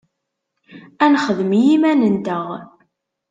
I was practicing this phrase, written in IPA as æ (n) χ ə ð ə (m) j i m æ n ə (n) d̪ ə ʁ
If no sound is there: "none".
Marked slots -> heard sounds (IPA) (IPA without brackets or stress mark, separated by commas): n, m, n